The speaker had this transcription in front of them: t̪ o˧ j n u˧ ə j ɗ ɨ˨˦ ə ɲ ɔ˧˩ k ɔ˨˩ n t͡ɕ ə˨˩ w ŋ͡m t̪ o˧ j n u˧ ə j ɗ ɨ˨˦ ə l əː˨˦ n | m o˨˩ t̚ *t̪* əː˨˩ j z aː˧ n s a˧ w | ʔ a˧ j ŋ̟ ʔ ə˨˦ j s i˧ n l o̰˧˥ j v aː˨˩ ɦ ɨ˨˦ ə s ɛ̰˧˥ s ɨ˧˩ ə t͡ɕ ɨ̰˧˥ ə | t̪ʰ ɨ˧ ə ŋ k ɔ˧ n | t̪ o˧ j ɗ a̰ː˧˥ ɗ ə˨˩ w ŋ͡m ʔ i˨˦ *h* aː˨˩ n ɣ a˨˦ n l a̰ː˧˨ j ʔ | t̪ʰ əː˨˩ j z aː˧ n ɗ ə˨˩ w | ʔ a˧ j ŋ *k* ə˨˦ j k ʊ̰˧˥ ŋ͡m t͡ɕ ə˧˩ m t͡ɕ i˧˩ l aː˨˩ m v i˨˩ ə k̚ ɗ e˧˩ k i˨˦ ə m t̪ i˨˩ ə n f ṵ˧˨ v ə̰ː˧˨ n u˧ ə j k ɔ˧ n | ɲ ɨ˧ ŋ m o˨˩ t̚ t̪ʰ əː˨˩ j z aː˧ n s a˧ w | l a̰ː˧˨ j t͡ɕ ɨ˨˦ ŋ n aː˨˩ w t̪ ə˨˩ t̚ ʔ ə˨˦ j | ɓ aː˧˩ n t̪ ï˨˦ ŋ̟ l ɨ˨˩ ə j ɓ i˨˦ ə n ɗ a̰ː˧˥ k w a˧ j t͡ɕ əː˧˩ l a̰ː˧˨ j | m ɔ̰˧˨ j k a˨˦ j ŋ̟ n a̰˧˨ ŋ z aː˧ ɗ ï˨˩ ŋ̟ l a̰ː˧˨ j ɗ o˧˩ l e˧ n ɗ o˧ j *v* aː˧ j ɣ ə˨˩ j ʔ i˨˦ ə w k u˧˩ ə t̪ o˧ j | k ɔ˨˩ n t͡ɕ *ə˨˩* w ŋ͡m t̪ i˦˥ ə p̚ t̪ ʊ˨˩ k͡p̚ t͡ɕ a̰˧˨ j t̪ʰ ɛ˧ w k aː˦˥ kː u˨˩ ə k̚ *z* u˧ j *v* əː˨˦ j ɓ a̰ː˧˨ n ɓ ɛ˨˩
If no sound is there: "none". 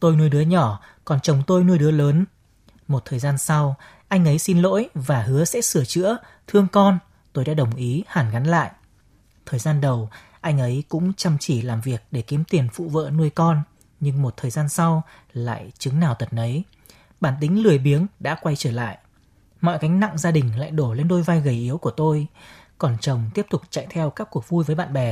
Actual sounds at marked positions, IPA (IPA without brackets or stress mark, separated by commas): t̪ʰ, h, ʔ, v, ə˨˩, v, v